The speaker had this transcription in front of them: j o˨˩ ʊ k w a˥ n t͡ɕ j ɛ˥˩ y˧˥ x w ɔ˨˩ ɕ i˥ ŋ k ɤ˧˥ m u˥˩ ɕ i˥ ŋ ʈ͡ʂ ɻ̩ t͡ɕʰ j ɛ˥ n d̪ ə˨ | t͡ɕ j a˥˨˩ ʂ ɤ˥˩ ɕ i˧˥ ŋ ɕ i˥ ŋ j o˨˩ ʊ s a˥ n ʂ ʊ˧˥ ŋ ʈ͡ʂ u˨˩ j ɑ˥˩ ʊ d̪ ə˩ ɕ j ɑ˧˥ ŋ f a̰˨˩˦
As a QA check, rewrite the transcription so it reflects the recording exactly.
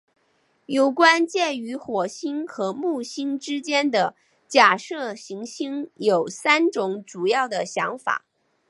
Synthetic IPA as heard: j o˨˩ ʊ k w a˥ n t͡ɕ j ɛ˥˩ y˧˥ x w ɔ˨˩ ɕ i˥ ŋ x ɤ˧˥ m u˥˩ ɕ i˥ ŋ ʈ͡ʂ ɻ̩ t͡ɕ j ɛ˥ n d̪ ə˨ | t͡ɕ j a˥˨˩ ʂ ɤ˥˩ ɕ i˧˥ ŋ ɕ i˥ ŋ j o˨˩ ʊ s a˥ n ʈ͡ʂ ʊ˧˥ ŋ ʈ͡ʂ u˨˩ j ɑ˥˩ ʊ d̪ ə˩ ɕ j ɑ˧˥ ŋ f a̰˨˩˦

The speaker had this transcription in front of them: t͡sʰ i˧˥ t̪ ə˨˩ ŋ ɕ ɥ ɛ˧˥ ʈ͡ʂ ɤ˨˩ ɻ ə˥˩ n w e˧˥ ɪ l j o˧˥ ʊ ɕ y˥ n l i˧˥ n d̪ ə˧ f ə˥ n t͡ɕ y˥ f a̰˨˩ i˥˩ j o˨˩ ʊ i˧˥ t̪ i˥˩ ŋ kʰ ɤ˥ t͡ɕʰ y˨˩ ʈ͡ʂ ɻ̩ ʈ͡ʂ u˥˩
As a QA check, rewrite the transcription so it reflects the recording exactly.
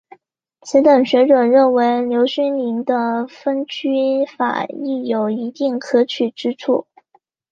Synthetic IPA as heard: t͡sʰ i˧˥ t̪ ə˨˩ ŋ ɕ ɥ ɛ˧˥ ʈ͡ʂ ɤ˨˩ ɻ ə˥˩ n w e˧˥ ɪ l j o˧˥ ʊ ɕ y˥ n l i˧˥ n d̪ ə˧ f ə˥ n t͡ɕ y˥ f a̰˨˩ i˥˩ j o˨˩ ʊ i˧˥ t̪ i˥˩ ŋ kʰ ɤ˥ t͡ɕʰ y˨˩ ʈ͡ʂ ɻ̩ ʈ͡ʂʰ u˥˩

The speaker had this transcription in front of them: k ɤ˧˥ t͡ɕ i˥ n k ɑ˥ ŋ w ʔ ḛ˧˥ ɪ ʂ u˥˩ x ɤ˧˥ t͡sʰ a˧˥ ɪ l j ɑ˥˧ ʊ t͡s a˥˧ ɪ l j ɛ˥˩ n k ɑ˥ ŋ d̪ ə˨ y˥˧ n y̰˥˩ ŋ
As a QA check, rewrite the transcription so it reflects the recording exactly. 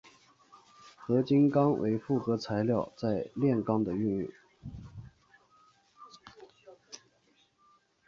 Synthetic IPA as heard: x ɤ˧˥ t͡ɕ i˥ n k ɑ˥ ŋ w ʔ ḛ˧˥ ɪ f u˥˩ x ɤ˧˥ t͡sʰ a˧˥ ɪ l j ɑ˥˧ ʊ t͡s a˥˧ ɪ l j ɛ˥˩ n k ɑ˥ ŋ d̪ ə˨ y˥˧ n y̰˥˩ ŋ

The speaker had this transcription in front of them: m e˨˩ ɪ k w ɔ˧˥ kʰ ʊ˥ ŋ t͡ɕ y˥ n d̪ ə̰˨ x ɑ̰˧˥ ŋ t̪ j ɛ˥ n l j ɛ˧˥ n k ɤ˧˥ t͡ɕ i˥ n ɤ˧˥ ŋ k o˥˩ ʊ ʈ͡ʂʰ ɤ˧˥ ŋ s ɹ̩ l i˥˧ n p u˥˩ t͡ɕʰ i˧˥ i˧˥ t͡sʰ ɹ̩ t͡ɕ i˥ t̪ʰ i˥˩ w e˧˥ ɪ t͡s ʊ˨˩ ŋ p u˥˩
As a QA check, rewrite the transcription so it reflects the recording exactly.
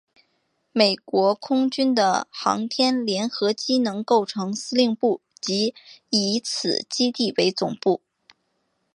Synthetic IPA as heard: m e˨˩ ɪ k w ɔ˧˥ kʰ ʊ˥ ŋ t͡ɕ y˥ n d̪ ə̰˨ x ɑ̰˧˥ ŋ t̪ʰ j ɛ˥ n l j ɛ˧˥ n x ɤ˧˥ t͡ɕ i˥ n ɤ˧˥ ŋ k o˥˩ ʊ ʈ͡ʂʰ ɤ˧˥ ŋ s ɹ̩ l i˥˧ ŋ p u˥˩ t͡ɕ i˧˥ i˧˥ t͡sʰ ɹ̩ t͡ɕ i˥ t̪ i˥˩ w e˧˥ ɪ t͡s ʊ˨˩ ŋ p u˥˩

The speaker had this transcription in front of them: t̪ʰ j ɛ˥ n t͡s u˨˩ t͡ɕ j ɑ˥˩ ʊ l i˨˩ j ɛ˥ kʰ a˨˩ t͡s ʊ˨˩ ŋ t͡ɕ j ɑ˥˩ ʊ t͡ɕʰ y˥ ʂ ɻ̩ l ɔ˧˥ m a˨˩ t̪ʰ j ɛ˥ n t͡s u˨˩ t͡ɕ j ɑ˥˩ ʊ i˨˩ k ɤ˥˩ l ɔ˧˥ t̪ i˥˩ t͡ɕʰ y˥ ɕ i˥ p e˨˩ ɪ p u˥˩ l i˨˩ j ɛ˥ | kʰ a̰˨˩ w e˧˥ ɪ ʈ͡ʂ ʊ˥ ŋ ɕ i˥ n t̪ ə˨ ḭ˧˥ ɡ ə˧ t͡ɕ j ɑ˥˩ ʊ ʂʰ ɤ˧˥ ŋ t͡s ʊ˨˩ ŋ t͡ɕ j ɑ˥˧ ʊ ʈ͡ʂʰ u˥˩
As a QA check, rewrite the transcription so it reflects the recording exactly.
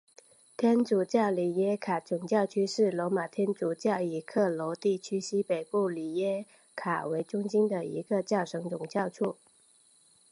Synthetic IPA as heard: t̪ʰ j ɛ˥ n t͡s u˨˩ t͡ɕ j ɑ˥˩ ʊ l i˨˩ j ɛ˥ kʰ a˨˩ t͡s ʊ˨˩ ŋ t͡ɕ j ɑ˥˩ ʊ t͡ɕʰ y˥ ʂ ɻ̩ l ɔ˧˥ m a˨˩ t̪ʰ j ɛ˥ n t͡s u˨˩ t͡ɕ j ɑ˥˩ ʊ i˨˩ kʰ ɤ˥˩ l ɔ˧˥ t̪ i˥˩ t͡ɕʰ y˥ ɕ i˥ p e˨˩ ɪ p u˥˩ l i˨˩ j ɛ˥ | kʰ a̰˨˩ w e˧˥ ɪ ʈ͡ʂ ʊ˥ ŋ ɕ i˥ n d̪ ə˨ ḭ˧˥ ɡ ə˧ t͡ɕ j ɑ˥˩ ʊ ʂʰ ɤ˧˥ ŋ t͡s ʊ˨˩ ŋ t͡ɕ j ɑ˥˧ ʊ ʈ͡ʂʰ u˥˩

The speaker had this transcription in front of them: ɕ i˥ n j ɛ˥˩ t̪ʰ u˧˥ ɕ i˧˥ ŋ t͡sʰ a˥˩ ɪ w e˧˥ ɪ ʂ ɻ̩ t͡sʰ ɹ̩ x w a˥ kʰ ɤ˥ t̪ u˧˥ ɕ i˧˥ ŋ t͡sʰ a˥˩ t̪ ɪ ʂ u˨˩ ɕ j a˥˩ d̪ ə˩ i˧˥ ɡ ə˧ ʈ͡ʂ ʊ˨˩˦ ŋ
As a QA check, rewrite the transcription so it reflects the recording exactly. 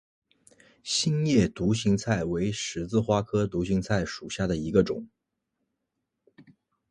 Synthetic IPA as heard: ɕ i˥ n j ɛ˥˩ t̪ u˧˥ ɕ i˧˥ ŋ t͡sʰ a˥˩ ɪ w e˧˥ ɪ ʂ ɻ̩ t͡s ɹ̩ x w a˥ kʰ ɤ˥ t̪ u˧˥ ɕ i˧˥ ŋ t͡sʰ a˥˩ ɪ ʂ u˨˩ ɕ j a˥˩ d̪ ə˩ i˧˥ ɡ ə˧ ʈ͡ʂ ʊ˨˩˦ ŋ

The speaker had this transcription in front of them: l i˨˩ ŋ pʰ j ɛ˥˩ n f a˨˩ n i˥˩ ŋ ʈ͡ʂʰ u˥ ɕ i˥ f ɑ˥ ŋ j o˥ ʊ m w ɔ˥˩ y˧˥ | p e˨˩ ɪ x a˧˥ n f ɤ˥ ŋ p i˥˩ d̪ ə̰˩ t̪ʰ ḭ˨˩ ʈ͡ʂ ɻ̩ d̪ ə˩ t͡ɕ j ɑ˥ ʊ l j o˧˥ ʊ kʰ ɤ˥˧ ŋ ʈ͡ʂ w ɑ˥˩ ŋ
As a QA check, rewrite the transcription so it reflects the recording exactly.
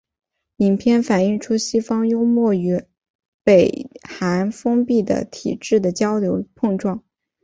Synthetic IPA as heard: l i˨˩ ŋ pʰ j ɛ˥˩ n f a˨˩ n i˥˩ ŋ ʈ͡ʂʰ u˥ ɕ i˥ f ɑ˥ ŋ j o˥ ʊ m w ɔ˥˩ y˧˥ | p e˨˩ ɪ x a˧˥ n f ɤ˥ ŋ p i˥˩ d̪ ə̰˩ t̪ʰ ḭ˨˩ ʈ͡ʂ ɻ̩ d̪ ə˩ t͡ɕ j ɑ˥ ʊ l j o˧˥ ʊ pʰ ɤ˥˧ ŋ ʈ͡ʂ w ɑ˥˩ ŋ

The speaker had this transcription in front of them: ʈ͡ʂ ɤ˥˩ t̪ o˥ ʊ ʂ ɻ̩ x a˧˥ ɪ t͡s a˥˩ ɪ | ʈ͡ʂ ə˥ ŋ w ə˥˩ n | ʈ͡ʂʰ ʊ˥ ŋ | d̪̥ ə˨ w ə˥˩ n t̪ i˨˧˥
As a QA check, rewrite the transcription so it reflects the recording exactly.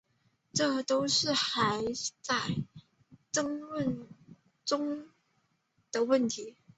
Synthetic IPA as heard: ʈ͡ʂ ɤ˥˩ t̪ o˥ ʊ ʂ ɻ̩ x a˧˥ ɪ t͡s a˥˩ ɪ | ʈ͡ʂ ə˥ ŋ w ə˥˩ n | ʈ͡ʂ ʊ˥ ŋ | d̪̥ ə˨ w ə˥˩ n t̪ʰ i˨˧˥

